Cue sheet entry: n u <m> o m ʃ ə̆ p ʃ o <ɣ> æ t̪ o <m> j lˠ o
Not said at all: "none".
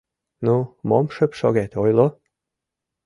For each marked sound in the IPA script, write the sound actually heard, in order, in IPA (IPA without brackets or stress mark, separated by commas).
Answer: m, ɣ, none